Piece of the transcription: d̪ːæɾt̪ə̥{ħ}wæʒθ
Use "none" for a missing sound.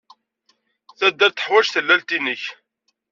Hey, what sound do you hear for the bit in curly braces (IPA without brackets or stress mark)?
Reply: ħ